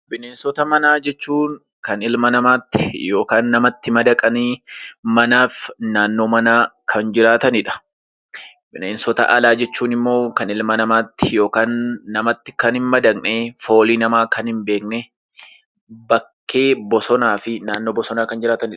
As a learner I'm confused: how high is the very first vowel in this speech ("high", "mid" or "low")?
high